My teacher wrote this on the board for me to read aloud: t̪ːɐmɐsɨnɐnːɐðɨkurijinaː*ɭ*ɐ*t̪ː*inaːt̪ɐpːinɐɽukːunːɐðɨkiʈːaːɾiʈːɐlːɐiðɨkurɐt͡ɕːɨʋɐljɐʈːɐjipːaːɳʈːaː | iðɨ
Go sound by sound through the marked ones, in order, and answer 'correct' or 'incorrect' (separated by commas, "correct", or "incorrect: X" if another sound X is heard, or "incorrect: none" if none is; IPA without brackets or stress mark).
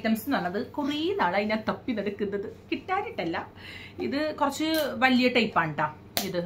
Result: correct, incorrect: none